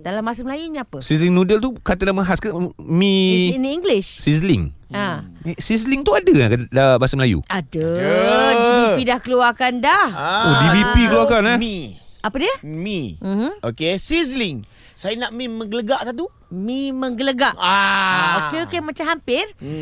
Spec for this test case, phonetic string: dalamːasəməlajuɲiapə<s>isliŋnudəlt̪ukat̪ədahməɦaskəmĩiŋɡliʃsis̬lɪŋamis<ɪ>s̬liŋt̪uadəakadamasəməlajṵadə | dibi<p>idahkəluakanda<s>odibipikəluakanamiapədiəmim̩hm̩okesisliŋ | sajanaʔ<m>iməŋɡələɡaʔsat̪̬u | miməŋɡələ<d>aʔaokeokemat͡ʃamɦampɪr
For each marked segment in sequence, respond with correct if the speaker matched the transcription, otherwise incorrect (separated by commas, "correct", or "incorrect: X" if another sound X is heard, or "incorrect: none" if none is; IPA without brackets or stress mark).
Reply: correct, incorrect: i, correct, incorrect: h, correct, incorrect: ɡ